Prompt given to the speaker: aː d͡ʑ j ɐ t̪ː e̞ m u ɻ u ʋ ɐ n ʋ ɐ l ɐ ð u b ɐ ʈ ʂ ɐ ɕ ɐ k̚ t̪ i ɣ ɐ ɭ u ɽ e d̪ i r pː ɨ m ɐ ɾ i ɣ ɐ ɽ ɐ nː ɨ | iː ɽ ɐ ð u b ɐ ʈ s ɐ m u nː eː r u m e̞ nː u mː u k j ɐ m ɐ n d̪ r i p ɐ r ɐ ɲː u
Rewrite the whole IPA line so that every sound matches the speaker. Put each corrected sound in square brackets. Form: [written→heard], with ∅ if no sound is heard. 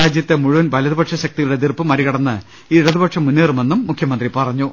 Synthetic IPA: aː d͡ʑ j ɐ t̪ː e̞ m u ɻ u ʋ ɐ n ʋ ɐ l ɐ ð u b ɐ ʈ ʂ ɐ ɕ ɐ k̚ t̪ i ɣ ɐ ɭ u ɽ e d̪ i r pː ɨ m ɐ ɾ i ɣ ɐ ɽ ɐ nː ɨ | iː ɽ ɐ ð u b ɐ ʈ [s→ʂ] ɐ m u nː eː r u m e̞ nː u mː u [k→kʰ] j ɐ m ɐ n d̪ r i p ɐ r ɐ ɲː u